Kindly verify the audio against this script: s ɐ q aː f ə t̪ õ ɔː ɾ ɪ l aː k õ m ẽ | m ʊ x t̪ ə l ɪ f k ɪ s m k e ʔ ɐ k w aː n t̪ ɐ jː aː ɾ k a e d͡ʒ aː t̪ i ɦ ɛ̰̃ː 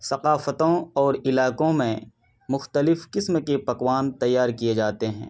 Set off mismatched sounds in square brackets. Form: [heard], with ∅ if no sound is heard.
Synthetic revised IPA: s ɐ q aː f ə t̪ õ ɔː ɾ ɪ l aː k õ m ẽ | m ʊ x t̪ ə l ɪ f k ɪ s m k e [p] ɐ k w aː n t̪ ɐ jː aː ɾ k [i] e d͡ʒ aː t̪ [e] ɦ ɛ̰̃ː